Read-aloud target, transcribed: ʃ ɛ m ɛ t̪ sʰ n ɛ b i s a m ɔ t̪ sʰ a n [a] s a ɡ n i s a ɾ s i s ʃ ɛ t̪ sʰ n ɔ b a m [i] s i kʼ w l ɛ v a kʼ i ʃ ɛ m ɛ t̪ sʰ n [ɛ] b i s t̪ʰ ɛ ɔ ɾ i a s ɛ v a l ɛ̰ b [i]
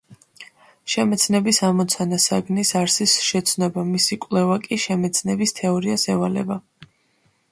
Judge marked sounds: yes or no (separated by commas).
yes, yes, yes, no